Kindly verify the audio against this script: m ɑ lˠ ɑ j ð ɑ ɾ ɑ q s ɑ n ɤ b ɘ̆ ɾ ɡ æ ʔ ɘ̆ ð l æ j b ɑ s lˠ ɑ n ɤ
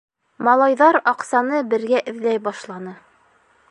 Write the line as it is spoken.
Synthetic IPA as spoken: m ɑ lˠ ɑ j ð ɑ ɾ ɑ q s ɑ n ɤ b ɘ̆ ɾ ɡ æ ʔ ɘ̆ ð l æ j b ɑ ʃ lˠ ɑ n ɤ